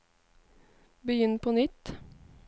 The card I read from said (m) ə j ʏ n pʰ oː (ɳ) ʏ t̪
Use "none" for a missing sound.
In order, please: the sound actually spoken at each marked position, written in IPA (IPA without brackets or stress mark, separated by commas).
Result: b, n